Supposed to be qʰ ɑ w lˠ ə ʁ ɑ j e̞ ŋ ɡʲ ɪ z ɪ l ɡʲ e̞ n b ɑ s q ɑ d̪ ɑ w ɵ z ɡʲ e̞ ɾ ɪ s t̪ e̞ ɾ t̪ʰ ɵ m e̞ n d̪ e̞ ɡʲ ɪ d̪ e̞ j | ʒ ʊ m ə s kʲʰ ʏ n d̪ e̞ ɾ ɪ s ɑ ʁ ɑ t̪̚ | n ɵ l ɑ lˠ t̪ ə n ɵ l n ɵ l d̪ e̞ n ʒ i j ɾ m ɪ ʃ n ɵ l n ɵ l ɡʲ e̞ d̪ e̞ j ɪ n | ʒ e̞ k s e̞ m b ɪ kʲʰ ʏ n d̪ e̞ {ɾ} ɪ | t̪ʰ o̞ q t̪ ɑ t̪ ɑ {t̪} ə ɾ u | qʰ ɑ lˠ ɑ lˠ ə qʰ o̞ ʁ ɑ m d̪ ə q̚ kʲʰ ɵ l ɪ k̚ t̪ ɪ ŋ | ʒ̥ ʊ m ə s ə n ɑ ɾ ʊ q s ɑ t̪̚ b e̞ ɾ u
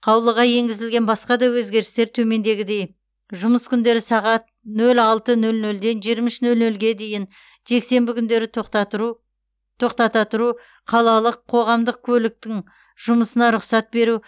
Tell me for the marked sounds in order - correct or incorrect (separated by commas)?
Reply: correct, correct